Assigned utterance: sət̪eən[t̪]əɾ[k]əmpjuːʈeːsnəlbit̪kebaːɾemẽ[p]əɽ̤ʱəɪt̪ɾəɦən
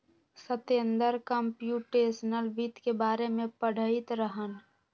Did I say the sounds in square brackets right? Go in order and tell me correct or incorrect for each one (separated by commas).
incorrect, correct, correct